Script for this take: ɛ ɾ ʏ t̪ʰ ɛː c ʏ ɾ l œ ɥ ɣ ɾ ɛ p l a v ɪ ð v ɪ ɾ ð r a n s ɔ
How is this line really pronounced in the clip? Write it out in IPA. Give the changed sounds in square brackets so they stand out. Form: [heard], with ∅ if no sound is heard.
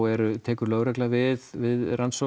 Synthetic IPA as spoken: ɛ ɾ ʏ t̪ʰ ɛː [k] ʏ ɾ l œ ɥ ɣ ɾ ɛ [k] l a v ɪ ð v ɪ [∅] ð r a n s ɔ